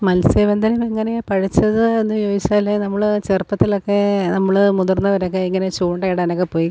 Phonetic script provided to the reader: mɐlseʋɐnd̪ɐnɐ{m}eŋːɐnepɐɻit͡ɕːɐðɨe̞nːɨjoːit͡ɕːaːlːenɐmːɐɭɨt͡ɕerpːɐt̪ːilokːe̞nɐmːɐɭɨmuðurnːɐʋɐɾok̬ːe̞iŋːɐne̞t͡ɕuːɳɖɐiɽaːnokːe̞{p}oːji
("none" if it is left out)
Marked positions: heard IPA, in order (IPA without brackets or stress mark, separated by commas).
m, p